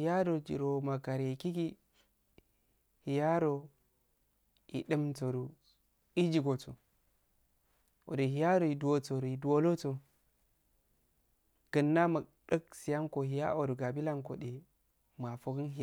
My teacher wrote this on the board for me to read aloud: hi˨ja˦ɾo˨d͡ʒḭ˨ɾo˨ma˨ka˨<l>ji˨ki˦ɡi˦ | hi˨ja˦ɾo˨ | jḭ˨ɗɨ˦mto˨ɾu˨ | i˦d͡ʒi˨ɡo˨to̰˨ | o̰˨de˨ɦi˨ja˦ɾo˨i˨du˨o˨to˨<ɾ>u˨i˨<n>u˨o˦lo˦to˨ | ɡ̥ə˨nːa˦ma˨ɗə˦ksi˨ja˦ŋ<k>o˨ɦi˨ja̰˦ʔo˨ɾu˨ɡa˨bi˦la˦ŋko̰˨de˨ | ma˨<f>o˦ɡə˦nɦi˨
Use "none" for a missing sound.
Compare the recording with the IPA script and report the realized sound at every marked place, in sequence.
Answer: ɾ, ɾ, d, k, f

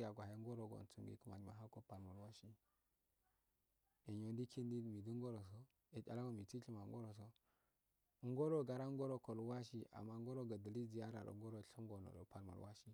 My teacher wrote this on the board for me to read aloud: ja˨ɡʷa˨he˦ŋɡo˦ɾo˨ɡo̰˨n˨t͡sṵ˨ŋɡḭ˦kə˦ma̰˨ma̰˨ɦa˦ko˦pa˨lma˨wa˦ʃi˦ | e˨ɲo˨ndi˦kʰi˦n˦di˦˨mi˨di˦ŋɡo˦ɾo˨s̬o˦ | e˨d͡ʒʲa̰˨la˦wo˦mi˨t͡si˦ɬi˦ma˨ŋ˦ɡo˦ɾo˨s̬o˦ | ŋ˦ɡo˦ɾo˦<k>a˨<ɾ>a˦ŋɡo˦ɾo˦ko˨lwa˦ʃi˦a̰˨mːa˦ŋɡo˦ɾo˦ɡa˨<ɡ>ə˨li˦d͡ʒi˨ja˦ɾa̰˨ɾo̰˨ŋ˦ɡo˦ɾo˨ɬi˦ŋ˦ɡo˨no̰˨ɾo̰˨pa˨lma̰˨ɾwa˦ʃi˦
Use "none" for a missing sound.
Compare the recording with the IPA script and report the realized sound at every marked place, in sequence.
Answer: ɡ, ɾ, d

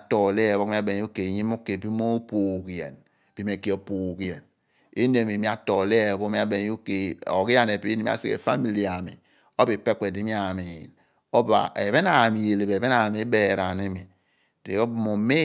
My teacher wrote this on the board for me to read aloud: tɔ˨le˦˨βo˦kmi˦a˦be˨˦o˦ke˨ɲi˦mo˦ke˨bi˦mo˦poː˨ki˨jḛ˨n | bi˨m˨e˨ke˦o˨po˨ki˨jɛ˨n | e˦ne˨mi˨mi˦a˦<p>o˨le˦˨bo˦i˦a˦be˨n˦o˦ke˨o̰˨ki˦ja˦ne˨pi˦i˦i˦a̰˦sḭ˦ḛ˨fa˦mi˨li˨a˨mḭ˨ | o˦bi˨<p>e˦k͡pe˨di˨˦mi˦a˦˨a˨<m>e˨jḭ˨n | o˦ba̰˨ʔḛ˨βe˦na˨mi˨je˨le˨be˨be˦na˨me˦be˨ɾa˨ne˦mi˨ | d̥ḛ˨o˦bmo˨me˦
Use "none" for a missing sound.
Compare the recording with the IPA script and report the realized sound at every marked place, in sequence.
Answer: t, p, m

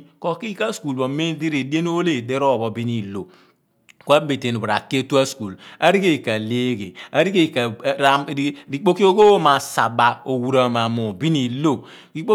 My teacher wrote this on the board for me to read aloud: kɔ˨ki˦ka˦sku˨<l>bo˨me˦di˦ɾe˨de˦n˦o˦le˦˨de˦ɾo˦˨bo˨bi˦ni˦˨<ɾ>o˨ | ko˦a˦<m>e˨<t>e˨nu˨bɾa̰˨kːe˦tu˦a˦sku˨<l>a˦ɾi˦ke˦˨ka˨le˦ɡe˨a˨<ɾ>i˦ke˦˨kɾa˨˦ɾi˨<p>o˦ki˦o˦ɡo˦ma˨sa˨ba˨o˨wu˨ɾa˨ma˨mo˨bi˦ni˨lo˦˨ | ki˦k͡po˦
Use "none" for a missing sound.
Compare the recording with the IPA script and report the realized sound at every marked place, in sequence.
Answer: l, l, b, t, l, ɾ, k͡p

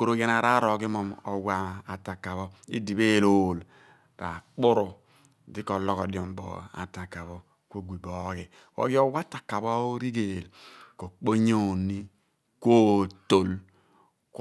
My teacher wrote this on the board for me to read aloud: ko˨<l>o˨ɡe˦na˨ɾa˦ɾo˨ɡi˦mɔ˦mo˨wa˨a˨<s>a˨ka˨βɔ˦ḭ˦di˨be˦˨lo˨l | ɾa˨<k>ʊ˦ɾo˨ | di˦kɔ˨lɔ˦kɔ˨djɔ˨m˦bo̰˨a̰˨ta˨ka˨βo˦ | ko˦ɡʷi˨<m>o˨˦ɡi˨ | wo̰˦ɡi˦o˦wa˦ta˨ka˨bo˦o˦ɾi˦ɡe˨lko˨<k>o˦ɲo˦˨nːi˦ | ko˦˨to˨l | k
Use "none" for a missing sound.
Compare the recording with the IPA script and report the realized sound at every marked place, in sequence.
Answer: ɾ, t, k͡p, b, k͡p

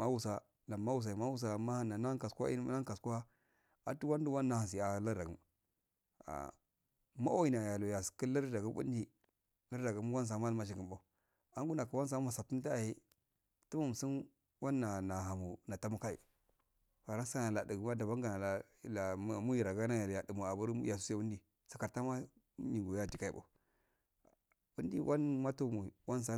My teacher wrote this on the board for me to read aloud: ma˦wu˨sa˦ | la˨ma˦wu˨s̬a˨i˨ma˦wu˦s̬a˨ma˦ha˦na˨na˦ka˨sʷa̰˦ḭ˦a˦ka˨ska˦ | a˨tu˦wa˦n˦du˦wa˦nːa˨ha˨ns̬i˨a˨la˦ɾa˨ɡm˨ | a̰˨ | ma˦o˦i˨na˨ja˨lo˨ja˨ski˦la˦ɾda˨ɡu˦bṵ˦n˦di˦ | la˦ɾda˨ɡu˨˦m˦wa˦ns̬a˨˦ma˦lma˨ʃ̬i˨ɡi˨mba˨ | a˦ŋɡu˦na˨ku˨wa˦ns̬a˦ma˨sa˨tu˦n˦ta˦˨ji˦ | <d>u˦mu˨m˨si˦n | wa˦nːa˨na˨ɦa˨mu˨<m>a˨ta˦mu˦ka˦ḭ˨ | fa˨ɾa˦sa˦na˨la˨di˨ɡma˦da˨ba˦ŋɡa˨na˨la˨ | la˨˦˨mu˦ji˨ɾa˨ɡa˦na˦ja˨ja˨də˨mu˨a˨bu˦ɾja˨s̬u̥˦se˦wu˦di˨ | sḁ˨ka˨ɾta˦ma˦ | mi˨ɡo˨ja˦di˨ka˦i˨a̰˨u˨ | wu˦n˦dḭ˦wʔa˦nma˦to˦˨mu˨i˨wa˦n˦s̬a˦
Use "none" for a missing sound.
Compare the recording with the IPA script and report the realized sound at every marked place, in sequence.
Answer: t, n

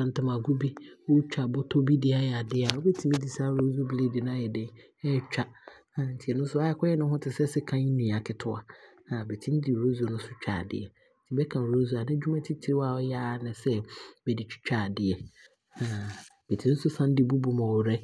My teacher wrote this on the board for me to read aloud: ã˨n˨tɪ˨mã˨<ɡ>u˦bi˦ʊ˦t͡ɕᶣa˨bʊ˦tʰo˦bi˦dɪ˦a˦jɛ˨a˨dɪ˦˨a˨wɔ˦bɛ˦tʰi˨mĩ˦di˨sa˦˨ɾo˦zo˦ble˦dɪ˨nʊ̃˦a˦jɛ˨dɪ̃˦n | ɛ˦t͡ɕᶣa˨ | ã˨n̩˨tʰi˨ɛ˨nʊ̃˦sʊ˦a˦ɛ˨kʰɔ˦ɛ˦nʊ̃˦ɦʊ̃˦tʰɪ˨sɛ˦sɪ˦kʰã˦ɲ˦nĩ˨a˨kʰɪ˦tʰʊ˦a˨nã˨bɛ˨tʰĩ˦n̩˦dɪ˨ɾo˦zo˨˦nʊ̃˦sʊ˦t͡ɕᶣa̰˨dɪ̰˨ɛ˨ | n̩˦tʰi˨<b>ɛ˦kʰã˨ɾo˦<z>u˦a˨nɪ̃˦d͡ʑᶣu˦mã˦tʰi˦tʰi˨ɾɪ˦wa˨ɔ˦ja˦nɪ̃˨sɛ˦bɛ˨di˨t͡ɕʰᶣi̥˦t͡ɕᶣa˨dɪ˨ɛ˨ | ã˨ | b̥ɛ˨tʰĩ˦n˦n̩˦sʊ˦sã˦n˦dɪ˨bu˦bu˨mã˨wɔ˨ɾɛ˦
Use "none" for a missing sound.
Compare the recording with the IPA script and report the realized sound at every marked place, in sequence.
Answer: ɡ, b, z

